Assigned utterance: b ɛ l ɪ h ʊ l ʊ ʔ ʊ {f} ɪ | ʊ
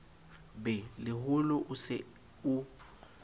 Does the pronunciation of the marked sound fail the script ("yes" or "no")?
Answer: yes